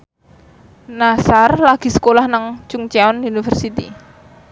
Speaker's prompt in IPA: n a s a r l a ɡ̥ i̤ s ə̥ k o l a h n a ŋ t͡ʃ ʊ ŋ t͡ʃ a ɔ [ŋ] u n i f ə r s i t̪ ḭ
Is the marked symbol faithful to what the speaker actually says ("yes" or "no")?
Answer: no